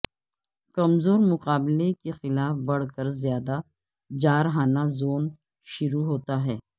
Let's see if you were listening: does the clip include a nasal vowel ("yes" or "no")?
no